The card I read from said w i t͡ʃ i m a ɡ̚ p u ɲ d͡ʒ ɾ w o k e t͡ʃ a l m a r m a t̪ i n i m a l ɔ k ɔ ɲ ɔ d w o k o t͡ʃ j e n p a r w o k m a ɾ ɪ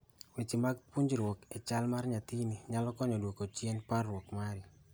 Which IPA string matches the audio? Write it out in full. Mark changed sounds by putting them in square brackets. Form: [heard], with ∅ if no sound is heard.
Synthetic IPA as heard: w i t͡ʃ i m a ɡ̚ p u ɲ d͡ʒ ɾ w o k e t͡ʃ a l m a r [ɲ] a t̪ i n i [ɲ] a l ɔ k ɔ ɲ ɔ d w o k o t͡ʃ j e n p a r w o k m a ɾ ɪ